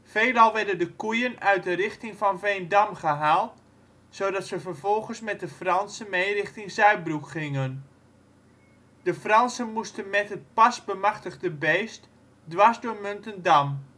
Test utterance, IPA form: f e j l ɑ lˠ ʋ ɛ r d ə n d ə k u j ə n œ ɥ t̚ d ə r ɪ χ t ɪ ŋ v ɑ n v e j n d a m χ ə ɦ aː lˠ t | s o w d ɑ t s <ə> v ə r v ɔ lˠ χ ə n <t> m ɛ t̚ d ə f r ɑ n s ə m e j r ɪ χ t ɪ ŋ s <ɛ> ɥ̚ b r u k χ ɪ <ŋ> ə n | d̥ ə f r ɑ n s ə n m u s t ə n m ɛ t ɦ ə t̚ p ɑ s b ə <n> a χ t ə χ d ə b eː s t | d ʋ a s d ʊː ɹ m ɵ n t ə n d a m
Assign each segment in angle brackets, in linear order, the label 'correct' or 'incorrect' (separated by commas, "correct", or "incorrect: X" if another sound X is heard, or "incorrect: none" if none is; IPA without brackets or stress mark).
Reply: correct, incorrect: s, incorrect: œ, correct, incorrect: m